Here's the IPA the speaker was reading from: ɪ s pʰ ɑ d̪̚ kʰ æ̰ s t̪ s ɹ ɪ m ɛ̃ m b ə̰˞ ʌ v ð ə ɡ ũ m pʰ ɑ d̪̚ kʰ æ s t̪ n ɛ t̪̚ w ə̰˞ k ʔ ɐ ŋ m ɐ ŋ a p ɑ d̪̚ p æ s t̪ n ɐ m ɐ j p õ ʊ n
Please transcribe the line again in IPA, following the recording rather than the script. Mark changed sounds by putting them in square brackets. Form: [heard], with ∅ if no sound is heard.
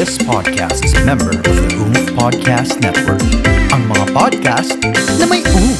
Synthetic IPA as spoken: ɪ s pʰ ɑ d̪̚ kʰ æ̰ s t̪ s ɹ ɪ m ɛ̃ m b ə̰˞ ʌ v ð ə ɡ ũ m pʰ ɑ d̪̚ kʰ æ s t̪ n ɛ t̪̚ w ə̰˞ k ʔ ɐ ŋ m ɐ ŋ a p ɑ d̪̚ [k] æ s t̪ n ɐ m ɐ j [ʔ] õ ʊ n